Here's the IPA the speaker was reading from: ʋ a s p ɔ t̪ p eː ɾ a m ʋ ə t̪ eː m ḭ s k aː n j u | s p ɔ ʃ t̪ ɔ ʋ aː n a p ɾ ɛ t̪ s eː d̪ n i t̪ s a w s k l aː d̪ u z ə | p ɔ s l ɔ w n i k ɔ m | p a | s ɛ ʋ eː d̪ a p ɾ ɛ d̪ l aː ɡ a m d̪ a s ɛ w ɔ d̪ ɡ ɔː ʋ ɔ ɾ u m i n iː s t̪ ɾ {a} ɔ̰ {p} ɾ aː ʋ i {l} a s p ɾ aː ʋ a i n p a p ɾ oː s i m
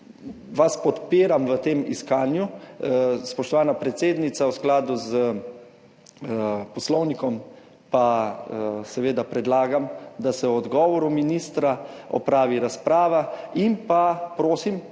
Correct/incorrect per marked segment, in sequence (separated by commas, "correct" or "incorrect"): correct, correct, incorrect